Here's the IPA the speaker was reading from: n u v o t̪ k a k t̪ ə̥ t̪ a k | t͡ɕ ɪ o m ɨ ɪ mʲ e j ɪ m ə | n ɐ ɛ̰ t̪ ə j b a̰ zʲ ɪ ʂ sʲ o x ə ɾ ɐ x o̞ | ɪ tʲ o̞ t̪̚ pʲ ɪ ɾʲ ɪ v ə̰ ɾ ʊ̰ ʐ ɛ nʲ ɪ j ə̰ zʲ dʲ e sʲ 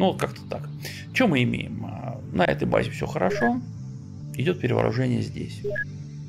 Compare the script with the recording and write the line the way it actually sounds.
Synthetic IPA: n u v o t̪ k a k t̪ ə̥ t̪ a k | t͡ɕ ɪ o m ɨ ɪ mʲ e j ɪ m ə | n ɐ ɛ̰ t̪ ə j b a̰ zʲ ɪ f sʲ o x ə ɾ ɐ ʂ o̞ | ɪ dʲ o̞ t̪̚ pʲ ɪ ɾʲ ɪ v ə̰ ɾ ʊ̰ ʐ ɛ nʲ ɪ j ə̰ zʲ dʲ e sʲ